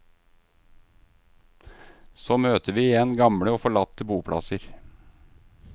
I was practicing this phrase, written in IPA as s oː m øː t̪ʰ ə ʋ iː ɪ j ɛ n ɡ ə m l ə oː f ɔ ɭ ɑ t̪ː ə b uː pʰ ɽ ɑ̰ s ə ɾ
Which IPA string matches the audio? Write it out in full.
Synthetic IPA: s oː m øː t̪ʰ ə ʋ iː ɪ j ɛ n ɡ ɑ m ɽ ə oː f ɔ ɭ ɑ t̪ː ə b uː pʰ ɽ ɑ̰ s ə ɾ